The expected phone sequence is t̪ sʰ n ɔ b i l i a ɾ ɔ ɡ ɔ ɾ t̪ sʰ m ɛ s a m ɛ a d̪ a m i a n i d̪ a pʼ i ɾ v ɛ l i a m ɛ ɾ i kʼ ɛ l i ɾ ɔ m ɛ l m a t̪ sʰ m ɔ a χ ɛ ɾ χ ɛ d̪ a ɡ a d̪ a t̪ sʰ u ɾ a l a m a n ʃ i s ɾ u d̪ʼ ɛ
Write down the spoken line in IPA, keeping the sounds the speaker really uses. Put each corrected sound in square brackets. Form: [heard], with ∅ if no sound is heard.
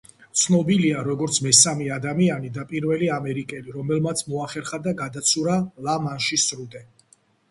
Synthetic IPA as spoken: t̪ sʰ n ɔ b i l i a ɾ ɔ ɡ ɔ ɾ t̪ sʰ m ɛ s a m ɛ a d̪ a m i a n i d̪ a pʼ i ɾ v ɛ l i a m ɛ ɾ i kʼ ɛ l i ɾ ɔ m ɛ l m a t̪ sʰ m ɔ a χ ɛ ɾ χ [a] d̪ a ɡ a d̪ a t̪ sʰ u ɾ a l a m a n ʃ i s ɾ u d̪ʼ ɛ